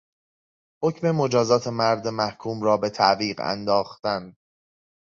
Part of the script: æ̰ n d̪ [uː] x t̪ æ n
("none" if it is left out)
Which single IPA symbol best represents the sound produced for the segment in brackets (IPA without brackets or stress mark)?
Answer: ɒː